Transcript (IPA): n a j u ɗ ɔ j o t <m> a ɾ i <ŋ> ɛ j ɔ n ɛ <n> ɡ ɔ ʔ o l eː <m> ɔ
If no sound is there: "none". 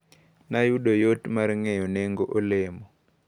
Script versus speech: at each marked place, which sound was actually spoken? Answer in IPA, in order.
m, ŋ, ŋ, m

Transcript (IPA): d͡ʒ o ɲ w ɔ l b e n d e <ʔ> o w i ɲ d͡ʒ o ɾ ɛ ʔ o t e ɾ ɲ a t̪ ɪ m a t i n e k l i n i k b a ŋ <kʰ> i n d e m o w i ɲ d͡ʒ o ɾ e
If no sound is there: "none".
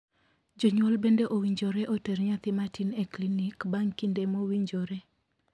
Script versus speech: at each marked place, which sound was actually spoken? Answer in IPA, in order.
ʔ, k

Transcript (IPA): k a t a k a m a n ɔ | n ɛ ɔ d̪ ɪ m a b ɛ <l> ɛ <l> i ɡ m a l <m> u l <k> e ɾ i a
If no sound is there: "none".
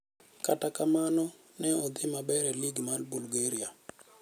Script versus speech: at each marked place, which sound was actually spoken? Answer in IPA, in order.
ɾ, l, b, ɡ

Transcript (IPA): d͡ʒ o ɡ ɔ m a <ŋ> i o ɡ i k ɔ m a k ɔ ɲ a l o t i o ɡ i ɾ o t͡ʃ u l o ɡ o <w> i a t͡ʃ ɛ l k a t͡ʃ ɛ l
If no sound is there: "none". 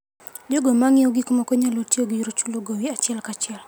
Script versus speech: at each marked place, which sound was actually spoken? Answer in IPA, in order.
ŋ, w

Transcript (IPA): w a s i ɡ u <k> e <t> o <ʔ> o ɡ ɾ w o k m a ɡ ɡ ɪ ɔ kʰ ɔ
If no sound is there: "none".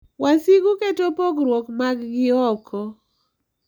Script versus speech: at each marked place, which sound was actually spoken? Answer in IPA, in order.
k, t, p

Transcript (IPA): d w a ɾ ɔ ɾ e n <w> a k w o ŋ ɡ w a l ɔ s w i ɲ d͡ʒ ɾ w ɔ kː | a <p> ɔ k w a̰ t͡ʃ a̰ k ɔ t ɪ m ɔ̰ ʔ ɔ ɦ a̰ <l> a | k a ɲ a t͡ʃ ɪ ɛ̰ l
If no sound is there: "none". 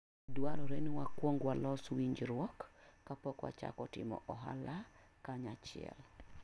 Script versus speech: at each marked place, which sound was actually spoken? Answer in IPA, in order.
w, p, l

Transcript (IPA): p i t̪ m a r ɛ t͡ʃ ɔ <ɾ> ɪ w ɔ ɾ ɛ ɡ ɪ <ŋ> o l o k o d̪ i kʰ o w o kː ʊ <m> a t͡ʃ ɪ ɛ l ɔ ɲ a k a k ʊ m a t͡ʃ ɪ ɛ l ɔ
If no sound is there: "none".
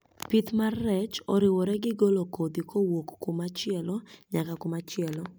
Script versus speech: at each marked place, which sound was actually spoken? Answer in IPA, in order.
ɾ, ɡ, m

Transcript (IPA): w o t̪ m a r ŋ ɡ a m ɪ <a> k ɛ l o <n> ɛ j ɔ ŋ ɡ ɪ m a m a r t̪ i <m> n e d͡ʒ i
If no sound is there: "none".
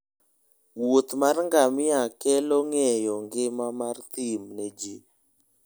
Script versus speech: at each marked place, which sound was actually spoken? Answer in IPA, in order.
a, ŋ, m

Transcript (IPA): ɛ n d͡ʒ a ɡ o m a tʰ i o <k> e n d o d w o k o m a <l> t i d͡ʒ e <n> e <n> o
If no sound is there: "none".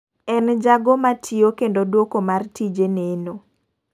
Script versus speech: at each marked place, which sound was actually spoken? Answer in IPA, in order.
k, r, n, n

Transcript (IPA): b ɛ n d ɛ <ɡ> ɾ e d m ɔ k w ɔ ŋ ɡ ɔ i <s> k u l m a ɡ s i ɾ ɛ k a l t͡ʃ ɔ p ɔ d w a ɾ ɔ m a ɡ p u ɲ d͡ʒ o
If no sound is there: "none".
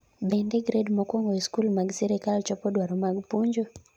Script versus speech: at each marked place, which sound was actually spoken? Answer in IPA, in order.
ɡ, s

